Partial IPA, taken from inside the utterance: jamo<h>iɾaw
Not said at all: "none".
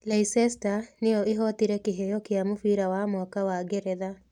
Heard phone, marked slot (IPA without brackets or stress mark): f